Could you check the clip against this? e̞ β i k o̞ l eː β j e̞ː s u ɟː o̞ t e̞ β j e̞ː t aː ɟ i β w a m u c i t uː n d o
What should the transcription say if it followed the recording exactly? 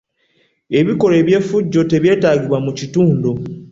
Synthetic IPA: e̞ β i k o̞ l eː β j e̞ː f u ɟː o̞ t e̞ β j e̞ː t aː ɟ i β w a m u c i t uː n d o